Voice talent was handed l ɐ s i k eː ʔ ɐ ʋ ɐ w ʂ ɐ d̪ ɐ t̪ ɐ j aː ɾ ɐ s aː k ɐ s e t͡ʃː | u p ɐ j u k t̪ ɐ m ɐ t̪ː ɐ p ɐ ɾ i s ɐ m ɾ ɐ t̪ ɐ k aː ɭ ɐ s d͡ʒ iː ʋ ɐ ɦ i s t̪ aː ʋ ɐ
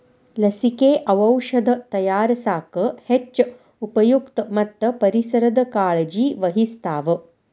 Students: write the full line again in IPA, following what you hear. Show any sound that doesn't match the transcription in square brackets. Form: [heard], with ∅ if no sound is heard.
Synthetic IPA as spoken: l ɐ s i k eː ʔ ɐ ʋ ɐ w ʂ ɐ d̪ ɐ t̪ ɐ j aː ɾ ɐ s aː k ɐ [h] e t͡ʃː | u p ɐ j u k t̪ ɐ m ɐ t̪ː ɐ p ɐ ɾ i s ɐ [∅] ɾ ɐ [d̪] ɐ k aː ɭ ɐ [∅] d͡ʒ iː ʋ ɐ ɦ i s t̪ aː ʋ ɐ